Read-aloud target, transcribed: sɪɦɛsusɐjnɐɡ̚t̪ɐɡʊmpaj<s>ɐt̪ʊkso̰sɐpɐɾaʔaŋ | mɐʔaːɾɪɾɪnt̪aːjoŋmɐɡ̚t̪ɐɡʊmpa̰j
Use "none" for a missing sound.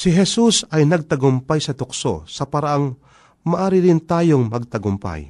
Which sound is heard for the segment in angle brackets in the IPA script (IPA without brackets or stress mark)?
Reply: s